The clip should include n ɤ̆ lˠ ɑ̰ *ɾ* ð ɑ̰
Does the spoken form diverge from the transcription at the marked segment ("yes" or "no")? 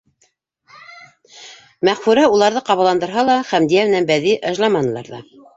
no